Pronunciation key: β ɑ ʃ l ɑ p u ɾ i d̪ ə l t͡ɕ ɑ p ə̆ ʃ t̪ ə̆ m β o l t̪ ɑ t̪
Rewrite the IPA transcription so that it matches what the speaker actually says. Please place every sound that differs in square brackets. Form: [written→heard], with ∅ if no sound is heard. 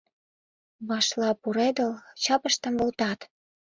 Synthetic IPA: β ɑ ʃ l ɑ p u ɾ [i→e] d̪ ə l t͡ɕ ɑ p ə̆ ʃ t̪ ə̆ m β o l t̪ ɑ t̪